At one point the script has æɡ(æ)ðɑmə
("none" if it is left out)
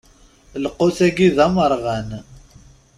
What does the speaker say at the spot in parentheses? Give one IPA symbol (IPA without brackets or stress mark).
i